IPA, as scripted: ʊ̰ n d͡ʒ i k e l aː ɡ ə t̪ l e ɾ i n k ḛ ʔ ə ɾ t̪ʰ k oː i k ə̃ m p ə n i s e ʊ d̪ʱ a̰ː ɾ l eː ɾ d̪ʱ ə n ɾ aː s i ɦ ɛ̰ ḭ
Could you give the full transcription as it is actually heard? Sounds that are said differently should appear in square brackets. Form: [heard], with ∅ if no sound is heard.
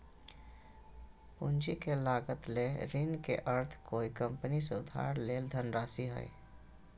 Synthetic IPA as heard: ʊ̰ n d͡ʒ i k e l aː ɡ ə t̪ l e ɾ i n k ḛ ʔ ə ɾ t̪ʰ k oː i k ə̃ m p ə n i s e ʊ d̪ʱ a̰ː ɾ l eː [l] d̪ʱ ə n ɾ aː s i ɦ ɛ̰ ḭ